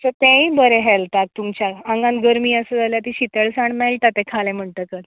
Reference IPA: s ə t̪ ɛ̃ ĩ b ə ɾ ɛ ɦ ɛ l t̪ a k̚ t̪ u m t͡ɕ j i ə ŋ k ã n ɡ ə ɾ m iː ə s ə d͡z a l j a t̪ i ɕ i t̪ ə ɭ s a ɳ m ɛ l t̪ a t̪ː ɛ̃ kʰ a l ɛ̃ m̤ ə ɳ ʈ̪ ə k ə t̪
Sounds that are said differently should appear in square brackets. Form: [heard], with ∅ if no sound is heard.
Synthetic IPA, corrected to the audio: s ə t̪ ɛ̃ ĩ b ə ɾ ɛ ɦ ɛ l t̪ a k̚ t̪ u m t͡ɕ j [a] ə ŋ [ɡ] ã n ɡ ə ɾ m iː ə s ə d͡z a l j a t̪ i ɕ i t̪ ə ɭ s a ɳ m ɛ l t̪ a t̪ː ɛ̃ kʰ a l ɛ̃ m̤ ə ɳ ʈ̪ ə k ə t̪